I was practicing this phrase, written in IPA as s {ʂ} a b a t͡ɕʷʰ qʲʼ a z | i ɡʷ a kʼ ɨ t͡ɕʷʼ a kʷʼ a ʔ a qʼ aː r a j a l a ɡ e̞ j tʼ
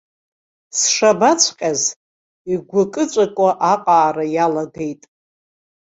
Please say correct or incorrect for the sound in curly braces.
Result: correct